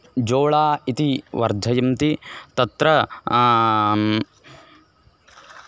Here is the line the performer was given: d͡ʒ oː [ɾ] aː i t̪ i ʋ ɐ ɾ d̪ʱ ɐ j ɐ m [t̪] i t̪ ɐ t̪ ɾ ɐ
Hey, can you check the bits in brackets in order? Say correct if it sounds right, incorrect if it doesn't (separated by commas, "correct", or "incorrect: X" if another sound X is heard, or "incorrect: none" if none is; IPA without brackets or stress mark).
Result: incorrect: ɭ, correct